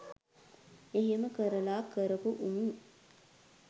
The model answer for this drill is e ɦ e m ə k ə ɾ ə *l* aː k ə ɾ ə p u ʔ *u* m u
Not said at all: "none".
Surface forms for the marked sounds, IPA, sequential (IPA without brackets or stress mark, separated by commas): l, u